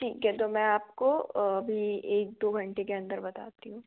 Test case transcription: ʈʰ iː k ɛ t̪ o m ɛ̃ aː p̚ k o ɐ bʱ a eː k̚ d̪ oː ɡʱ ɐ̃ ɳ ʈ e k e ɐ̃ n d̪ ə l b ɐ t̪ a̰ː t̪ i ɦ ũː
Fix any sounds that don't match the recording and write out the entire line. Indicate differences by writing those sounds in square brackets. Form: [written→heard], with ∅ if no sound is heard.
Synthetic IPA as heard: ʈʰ iː k ɛ t̪ o m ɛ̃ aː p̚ k o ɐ bʱ [a→i] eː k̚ d̪ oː ɡʱ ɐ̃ ɳ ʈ e k e ɐ̃ n d̪ ə [l→ɾ] b ɐ t̪ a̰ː t̪ i ɦ ũː

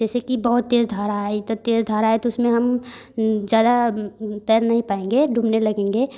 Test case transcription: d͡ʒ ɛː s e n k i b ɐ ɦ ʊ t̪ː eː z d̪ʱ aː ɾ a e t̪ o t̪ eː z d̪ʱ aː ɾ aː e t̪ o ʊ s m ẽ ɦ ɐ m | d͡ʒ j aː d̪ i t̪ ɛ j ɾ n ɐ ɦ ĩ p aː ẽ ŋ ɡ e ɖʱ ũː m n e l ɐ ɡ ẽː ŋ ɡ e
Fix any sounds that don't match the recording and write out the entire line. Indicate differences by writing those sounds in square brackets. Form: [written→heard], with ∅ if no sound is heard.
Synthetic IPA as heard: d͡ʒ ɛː s e [n→∅] k i b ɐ ɦ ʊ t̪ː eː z d̪ʱ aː ɾ a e t̪ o t̪ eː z d̪ʱ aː ɾ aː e t̪ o ʊ s m ẽ ɦ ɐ m | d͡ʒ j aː d̪ [i→a] t̪ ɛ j ɾ n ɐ ɦ ĩ p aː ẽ ŋ ɡ e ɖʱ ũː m n e l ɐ ɡ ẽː ŋ ɡ e

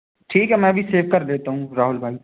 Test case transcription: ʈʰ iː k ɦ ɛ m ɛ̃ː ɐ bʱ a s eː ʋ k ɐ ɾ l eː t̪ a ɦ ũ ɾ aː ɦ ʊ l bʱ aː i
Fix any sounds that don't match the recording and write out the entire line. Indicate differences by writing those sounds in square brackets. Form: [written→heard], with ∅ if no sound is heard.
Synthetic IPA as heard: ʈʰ iː k ɦ ɛ m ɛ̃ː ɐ bʱ [a→i] s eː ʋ k ɐ ɾ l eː t̪ a ɦ ũ ɾ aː ɦ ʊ l bʱ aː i

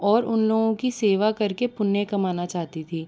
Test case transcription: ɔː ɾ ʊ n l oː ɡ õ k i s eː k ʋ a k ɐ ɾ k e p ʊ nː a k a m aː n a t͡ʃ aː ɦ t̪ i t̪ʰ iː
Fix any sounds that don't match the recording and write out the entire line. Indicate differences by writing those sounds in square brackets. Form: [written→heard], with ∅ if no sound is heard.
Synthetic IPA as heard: ɔː ɾ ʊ n l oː ɡ õ k i s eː [k→∅] ʋ a k ɐ ɾ k e p ʊ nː [a→e] k [a→ɐ] m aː n a t͡ʃ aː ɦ t̪ i t̪ʰ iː

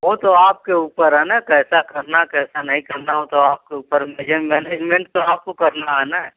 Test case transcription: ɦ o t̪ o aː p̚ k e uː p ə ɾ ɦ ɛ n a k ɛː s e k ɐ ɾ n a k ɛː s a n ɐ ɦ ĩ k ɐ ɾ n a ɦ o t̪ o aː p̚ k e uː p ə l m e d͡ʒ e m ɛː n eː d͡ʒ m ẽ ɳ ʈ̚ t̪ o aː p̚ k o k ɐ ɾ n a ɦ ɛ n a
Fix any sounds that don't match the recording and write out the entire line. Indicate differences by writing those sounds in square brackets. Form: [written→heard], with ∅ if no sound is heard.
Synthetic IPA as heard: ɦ o t̪ o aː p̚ k e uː p ə ɾ ɦ ɛ n a k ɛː s [e→a] k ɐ ɾ n a k ɛː s a n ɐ ɦ ĩ k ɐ ɾ n a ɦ o t̪ o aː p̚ k e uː p ə [l→ɾ] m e d͡ʒ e m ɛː n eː d͡ʒ m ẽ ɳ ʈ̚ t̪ o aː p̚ k o k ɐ ɾ n a ɦ ɛ n a

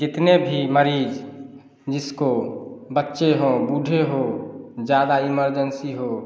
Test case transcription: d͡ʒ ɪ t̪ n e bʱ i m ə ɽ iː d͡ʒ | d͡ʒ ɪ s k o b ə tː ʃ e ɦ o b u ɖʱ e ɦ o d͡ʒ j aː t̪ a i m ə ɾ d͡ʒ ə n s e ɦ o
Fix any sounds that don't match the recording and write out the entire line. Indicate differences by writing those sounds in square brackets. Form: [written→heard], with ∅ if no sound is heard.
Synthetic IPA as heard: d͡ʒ ɪ t̪ n e bʱ i m ə [ɽ→ɾ] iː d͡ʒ | d͡ʒ ɪ s k o b ə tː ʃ e ɦ o b u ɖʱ e ɦ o d͡ʒ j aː [t̪→d̪] a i m ə ɾ d͡ʒ ə n s [e→i] ɦ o

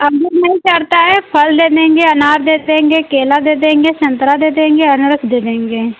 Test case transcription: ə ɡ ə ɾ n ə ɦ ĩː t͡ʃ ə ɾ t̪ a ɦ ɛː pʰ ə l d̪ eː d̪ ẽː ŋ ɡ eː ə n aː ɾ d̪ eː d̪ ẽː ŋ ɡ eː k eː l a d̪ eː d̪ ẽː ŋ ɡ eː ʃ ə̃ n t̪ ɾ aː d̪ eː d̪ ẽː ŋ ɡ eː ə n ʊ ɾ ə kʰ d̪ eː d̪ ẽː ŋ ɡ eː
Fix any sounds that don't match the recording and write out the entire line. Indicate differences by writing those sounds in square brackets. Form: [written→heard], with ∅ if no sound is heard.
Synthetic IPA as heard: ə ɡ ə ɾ n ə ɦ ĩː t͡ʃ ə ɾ t̪ a ɦ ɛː pʰ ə l d̪ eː d̪ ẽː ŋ ɡ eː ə n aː ɾ d̪ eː d̪ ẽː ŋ ɡ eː k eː l a d̪ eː d̪ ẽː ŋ ɡ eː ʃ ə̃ n t̪ ɾ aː d̪ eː d̪ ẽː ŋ ɡ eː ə n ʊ ɾ ə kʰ d̪ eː d̪ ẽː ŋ ɡ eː

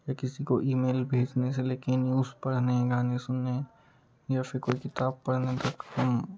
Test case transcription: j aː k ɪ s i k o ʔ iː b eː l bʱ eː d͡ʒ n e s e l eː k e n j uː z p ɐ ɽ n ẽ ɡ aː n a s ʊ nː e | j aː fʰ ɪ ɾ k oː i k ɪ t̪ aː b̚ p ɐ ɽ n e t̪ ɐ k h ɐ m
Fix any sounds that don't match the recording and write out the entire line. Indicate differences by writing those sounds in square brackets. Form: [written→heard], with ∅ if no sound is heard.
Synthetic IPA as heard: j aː k ɪ s i k o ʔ iː [b→m] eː l bʱ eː d͡ʒ n e s e l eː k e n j uː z p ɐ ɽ n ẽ ɡ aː n [a→e] s ʊ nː e | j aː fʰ ɪ ɾ k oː i k ɪ t̪ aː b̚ p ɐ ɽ n e t̪ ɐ k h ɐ m

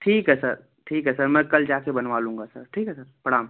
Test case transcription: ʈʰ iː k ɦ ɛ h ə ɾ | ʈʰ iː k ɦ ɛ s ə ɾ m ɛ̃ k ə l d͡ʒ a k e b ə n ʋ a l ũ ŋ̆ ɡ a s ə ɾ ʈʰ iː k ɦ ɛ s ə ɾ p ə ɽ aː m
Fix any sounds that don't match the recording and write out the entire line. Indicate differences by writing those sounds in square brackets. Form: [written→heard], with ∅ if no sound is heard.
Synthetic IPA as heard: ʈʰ iː k ɦ ɛ [h→s] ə ɾ | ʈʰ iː k ɦ ɛ s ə ɾ m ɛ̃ k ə l d͡ʒ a k e b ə n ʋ a l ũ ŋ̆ ɡ a s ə ɾ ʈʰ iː k ɦ ɛ s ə ɾ p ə ɽ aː m

